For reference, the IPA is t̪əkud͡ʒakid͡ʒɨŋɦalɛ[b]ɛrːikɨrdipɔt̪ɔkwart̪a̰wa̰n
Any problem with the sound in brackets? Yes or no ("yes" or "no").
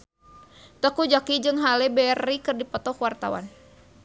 no